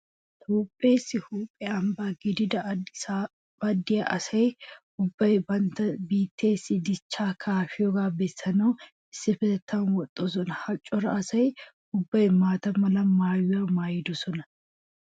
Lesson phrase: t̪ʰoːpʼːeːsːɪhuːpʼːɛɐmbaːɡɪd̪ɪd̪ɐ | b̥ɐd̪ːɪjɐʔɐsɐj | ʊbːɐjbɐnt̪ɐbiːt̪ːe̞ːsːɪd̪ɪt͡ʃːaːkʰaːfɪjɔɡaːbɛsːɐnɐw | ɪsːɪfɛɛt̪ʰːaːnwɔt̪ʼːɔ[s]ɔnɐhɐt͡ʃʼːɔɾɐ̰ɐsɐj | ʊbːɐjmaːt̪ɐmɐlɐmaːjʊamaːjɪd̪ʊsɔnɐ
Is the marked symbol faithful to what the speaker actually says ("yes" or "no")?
yes